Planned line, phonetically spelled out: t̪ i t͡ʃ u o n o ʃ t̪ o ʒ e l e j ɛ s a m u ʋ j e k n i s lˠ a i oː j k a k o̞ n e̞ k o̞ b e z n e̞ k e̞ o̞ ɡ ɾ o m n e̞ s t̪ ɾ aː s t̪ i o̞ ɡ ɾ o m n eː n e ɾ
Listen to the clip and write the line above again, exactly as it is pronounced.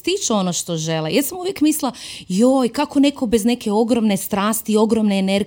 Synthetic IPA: t̪ i t͡ʃ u o n o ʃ t̪ o ʒ e l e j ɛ s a m u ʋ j e k m i s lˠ a j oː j k a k o̞ n e̞ k o̞ b e z n e̞ k e̞ o̞ ɡ ɾ o m n e̞ s t̪ ɾ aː s t̪ i o̞ ɡ ɾ o m n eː n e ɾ